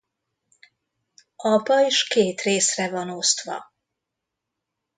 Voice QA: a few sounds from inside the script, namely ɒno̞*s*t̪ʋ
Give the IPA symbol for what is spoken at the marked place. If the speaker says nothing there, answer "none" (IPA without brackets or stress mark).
s